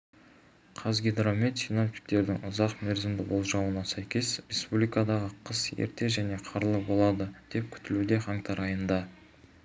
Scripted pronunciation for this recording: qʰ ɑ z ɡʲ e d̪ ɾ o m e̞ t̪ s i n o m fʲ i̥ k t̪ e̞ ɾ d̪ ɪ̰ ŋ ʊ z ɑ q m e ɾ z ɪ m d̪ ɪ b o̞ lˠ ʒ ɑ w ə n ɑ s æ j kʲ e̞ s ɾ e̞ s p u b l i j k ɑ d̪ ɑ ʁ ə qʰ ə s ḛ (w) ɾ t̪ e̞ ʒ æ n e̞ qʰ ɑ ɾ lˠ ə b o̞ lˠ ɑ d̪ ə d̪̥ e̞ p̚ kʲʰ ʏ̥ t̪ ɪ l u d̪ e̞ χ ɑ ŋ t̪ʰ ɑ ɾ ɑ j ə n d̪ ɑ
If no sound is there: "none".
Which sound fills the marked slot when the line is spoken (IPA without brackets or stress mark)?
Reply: none